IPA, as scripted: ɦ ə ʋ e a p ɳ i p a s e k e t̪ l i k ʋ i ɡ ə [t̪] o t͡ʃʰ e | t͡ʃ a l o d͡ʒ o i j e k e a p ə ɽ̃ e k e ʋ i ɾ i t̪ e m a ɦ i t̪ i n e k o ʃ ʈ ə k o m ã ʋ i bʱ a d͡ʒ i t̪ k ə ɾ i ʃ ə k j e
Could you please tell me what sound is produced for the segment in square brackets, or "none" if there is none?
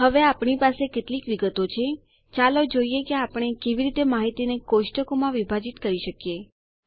t̪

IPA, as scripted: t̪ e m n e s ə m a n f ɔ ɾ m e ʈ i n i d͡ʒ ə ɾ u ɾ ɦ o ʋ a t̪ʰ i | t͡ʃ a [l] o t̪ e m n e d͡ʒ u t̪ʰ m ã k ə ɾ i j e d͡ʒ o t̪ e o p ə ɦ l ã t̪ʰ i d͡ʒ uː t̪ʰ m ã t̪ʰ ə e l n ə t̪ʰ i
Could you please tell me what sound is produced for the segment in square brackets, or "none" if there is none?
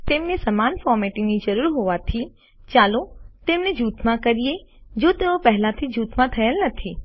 l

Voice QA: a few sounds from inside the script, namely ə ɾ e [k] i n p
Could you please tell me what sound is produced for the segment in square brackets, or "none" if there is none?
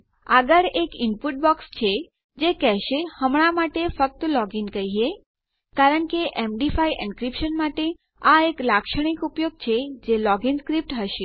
k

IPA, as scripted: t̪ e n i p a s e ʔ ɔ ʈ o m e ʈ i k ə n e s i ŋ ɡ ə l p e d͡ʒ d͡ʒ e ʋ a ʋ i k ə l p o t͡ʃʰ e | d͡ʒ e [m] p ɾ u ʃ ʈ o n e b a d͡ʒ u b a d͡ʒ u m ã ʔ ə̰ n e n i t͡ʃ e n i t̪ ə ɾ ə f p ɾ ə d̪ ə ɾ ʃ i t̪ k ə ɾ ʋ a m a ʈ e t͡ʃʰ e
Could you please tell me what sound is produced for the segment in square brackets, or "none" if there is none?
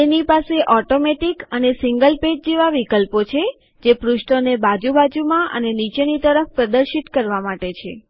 none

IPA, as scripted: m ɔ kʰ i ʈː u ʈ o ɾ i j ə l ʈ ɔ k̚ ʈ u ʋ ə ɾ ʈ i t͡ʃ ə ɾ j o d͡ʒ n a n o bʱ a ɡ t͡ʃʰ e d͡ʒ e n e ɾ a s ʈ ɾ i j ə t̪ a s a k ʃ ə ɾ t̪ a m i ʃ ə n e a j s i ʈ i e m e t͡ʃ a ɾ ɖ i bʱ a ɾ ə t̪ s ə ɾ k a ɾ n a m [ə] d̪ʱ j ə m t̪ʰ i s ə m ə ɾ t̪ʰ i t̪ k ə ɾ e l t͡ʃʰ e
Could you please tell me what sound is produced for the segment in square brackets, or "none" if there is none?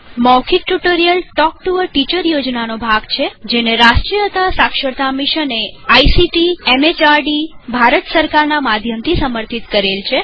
a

